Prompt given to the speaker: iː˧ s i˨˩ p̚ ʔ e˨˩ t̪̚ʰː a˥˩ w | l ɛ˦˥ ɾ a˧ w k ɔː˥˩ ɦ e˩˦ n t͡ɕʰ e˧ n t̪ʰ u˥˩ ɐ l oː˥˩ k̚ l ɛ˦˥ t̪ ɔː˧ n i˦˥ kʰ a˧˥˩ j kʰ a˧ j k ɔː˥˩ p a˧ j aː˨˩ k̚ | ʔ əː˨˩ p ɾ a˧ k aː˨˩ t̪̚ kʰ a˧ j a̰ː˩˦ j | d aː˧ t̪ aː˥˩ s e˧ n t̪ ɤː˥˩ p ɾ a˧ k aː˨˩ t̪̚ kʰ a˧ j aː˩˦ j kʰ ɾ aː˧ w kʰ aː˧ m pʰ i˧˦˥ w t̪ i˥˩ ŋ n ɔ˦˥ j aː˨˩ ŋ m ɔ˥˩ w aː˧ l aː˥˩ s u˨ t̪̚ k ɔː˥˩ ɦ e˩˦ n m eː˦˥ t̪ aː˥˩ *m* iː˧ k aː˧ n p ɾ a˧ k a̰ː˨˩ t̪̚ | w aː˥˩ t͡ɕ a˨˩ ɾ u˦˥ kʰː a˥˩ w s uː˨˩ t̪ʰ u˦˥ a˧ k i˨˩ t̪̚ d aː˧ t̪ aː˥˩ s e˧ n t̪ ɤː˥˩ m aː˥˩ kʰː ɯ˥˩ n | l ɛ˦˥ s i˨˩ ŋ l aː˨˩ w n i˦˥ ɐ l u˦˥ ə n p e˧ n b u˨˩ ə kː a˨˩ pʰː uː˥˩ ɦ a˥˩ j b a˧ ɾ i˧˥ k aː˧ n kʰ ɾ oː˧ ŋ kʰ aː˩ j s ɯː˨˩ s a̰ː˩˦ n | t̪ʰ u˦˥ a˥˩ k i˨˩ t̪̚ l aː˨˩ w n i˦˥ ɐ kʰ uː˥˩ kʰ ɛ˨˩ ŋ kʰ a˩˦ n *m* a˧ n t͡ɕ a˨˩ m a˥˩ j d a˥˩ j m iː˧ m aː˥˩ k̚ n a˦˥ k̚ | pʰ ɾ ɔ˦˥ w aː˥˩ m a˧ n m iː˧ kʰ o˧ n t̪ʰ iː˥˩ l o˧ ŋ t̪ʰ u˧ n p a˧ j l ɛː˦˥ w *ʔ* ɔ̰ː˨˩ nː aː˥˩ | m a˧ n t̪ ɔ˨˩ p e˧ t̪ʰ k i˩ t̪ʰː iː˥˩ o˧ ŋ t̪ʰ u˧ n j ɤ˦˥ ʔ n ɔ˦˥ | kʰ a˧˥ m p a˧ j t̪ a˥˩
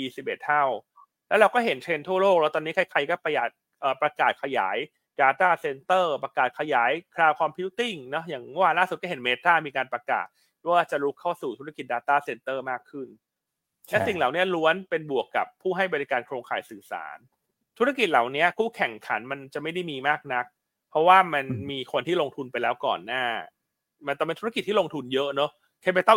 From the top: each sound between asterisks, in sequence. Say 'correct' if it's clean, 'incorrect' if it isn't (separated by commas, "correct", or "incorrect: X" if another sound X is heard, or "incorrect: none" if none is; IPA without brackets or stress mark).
correct, correct, incorrect: k